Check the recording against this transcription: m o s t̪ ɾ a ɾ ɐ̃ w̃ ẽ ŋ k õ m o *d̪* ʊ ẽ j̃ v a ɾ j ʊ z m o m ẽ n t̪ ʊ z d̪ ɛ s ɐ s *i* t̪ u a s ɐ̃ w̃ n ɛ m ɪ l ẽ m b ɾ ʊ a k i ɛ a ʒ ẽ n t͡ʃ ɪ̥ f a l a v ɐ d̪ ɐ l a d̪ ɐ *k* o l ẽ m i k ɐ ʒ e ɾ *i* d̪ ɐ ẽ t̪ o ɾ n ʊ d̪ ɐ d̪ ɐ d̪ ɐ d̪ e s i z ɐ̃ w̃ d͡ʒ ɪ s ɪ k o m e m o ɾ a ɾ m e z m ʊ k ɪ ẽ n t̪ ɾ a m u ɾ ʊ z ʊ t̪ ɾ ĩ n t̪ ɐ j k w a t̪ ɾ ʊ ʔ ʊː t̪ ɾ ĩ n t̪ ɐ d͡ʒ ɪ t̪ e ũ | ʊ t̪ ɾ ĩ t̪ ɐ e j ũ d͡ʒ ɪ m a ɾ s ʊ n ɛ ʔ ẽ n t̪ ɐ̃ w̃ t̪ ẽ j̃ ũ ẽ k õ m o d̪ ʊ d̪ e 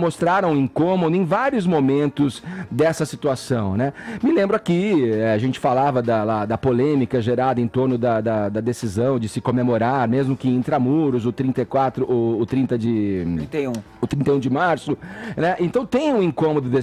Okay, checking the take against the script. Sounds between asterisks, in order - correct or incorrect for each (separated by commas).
correct, correct, incorrect, incorrect